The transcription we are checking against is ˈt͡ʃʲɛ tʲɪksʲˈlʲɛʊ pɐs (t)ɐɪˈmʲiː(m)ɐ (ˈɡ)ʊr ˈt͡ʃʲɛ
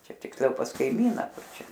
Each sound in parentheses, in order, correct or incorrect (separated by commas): incorrect, incorrect, incorrect